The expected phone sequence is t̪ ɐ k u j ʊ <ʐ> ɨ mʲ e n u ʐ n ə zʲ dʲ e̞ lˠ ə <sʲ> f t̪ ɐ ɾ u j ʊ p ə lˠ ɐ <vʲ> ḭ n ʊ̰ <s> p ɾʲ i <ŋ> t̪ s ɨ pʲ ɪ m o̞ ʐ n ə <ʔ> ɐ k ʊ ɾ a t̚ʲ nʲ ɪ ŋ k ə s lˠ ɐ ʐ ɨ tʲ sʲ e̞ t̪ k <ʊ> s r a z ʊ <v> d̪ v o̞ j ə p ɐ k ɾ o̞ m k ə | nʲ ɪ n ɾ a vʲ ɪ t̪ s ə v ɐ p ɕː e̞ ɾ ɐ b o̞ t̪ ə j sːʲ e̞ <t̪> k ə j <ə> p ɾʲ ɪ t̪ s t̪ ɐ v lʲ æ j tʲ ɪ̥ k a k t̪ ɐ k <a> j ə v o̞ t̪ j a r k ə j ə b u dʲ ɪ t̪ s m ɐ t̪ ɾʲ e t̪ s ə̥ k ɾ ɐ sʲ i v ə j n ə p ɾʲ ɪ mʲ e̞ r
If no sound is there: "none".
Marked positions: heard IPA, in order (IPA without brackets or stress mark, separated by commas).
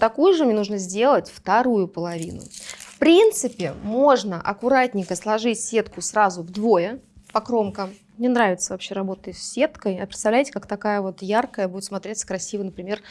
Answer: ʐ, tʲ, vʲ, f, n, ʔ, ʊ, v, t̪, ɐ, a